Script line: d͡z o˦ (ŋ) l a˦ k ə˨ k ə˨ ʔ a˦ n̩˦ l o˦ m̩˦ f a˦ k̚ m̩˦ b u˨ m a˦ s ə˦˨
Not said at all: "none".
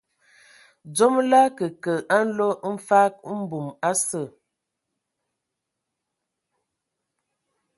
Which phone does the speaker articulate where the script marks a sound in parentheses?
m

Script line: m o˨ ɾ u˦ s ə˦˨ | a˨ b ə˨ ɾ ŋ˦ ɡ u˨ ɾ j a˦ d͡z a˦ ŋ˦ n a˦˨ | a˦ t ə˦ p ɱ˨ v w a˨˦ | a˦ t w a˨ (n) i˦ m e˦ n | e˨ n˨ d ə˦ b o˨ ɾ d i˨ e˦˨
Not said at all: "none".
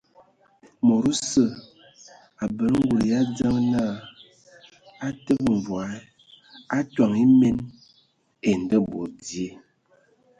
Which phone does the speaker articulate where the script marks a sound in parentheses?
ŋ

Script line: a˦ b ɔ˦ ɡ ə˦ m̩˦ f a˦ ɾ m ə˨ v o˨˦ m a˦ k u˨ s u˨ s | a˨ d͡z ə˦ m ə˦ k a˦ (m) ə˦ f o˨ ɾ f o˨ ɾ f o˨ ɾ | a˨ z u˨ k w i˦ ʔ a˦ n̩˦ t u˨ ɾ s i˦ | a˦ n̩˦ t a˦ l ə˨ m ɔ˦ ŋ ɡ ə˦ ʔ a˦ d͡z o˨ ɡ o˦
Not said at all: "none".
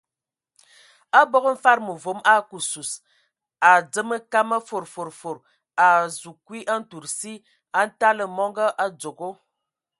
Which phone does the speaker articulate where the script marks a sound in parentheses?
m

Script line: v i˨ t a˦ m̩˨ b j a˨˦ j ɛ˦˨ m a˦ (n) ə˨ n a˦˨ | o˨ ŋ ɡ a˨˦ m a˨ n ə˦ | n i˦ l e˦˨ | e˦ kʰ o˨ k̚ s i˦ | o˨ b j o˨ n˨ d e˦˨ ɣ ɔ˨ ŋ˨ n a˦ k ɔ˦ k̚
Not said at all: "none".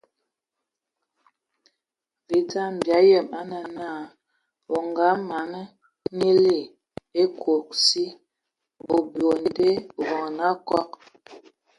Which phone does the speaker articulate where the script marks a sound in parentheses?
n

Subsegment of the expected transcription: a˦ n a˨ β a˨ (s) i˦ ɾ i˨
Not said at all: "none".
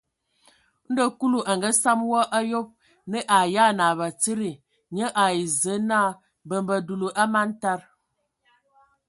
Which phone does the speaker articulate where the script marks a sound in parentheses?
t͡s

